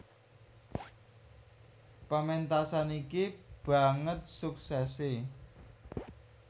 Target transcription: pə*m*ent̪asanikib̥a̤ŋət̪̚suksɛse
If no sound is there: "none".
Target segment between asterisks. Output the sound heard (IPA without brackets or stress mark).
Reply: m